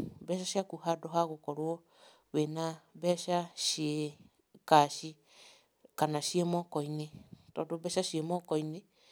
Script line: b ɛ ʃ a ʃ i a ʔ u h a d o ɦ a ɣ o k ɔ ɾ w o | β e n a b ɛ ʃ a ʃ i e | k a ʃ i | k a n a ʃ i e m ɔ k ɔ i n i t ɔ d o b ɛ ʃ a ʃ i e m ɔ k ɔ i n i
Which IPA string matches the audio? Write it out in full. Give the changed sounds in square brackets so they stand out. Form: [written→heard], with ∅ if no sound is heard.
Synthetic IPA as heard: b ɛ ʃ a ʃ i a [ʔ→k] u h a d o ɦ a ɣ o k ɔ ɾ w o | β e n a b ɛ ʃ a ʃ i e | k a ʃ i | k a n a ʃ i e m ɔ k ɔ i n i t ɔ d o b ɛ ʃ a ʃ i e m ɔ k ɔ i n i